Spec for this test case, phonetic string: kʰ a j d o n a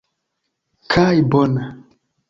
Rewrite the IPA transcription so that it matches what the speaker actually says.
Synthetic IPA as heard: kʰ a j b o n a